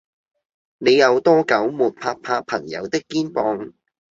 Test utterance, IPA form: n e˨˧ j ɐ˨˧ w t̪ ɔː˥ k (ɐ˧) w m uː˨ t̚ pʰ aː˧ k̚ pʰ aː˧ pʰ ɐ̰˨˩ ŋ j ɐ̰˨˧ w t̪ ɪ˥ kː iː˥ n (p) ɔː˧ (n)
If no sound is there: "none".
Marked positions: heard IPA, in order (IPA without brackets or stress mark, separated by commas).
ɐ˨˥, p, ŋ